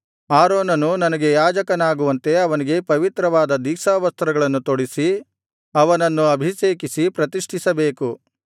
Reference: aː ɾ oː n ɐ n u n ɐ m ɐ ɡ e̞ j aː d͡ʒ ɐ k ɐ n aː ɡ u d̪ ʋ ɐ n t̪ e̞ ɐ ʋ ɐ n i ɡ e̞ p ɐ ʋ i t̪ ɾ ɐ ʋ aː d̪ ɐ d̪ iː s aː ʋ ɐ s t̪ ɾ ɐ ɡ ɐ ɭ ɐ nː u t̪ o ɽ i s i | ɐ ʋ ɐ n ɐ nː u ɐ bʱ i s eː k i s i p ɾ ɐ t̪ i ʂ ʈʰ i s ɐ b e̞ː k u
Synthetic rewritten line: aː ɾ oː n ɐ n u n ɐ n ɐ ɡ e̞ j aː d͡ʒ ɐ k ɐ n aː ɡ u ʋ ɐ n t̪ e̞ ɐ ʋ ɐ n i ɡ e̞ p ɐ ʋ i t̪ ɾ ɐ ʋ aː d̪ ɐ d̪ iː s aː ʋ ɐ s t̪ ɾ ɐ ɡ ɐ ɭ ɐ nː u t̪ o ɽ i s i | ɐ ʋ ɐ n ɐ nː u ɐ bʱ i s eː k i s i p ɾ ɐ t̪ i ʂ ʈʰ i s ɐ b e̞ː k u